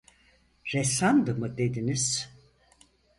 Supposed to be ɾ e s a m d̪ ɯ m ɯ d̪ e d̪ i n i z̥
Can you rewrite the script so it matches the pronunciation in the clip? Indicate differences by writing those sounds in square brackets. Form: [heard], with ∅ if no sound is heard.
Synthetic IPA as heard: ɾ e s a [n] d̪ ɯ m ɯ d̪ e d̪ i n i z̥

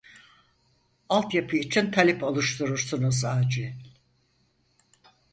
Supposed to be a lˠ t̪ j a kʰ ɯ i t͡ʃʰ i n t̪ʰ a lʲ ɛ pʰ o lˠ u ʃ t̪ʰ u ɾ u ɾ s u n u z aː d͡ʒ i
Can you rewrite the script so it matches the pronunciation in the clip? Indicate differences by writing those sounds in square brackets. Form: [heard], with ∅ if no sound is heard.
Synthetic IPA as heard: a lˠ t̪ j a [pʰ] ɯ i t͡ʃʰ i n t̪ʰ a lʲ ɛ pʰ o lˠ u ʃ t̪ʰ u ɾ u ɾ s u n u z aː d͡ʒ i

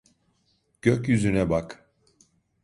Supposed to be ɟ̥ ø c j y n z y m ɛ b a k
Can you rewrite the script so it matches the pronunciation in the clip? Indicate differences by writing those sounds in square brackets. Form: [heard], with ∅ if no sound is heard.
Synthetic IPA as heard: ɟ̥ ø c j y [∅] z y [n] ɛ b a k

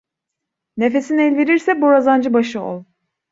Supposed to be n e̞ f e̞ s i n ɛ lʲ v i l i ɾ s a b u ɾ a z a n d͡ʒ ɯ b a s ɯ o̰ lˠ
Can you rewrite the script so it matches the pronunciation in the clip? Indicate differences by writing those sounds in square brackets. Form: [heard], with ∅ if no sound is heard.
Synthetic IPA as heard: n e̞ f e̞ s i n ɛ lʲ v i [ɾ] i ɾ s [ɛ] b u ɾ a z a n d͡ʒ ɯ b a [ʃ] ɯ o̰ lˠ

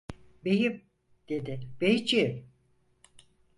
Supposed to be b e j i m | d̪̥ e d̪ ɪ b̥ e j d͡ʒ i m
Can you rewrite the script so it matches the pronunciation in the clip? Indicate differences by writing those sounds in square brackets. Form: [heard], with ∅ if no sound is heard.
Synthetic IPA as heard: b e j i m | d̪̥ e d̪ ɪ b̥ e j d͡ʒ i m

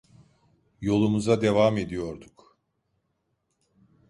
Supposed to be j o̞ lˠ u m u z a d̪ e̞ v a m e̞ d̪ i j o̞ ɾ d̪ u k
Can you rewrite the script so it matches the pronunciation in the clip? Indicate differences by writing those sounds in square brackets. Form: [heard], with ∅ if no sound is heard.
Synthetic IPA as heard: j o̞ lˠ u m u z a d̪ e̞ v a m e̞ d̪ i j o̞ ɾ d̪ u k

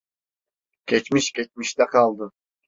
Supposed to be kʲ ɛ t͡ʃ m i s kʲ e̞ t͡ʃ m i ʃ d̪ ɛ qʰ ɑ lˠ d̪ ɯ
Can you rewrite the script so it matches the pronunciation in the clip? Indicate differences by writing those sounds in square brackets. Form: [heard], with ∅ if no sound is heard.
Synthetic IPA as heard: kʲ [e] t͡ʃ m i [ʃ] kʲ e̞ t͡ʃ m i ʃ [t̪] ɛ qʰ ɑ lˠ d̪ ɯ

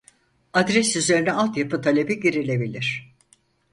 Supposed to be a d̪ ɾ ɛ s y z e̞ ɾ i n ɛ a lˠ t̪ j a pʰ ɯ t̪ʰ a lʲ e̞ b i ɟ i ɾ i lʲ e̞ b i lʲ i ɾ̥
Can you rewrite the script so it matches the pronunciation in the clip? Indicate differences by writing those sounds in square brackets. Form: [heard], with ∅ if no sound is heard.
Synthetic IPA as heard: a d̪ ɾ ɛ s y z e̞ ɾ i n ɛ a lˠ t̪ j a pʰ ɯ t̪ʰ a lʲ e̞ b i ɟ i ɾ i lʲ e̞ b i lʲ i ɾ̥

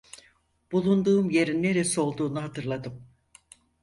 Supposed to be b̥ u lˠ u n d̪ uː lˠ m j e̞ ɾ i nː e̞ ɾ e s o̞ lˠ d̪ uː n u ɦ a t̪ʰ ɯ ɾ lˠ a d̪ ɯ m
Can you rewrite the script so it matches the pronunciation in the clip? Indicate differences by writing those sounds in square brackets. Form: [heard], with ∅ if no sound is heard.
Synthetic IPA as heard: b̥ u lˠ u n d̪ uː [∅] m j e̞ ɾ i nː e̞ ɾ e s o̞ lˠ d̪ uː n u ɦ a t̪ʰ ɯ ɾ lˠ a d̪ ɯ m

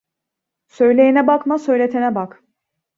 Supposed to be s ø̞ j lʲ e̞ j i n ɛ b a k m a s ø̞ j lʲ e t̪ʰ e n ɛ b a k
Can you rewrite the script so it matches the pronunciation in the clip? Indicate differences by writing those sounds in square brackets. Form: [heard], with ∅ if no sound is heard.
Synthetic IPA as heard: s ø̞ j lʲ e̞ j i n ɛ b a k m a s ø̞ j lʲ e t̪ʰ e n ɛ b a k

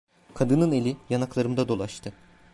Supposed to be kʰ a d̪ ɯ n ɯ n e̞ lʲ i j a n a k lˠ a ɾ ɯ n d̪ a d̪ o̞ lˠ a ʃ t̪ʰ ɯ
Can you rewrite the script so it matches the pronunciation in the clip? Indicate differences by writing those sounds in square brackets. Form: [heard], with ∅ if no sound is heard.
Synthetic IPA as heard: kʰ a d̪ ɯ n ɯ n e̞ lʲ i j a n a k lˠ a ɾ ɯ [m] d̪ a d̪ o̞ lˠ a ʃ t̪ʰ ɯ

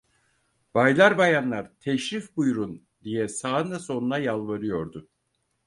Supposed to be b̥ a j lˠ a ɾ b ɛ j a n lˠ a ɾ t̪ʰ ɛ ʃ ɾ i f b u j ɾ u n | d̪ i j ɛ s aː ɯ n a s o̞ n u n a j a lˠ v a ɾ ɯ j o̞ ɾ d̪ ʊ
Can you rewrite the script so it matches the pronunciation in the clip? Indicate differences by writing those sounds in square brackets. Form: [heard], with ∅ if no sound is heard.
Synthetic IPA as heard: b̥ a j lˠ a ɾ b [a] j a n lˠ a ɾ t̪ʰ ɛ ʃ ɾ i f b u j ɾ u n | d̪ i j ɛ s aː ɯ n a s o̞ n u n a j a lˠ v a ɾ ɯ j o̞ ɾ d̪ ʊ

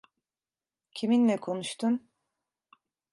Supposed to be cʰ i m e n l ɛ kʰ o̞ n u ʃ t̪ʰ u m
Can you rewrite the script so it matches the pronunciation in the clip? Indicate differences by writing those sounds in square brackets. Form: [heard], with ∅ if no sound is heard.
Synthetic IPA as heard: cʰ i m [i] n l ɛ kʰ o̞ n u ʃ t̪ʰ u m

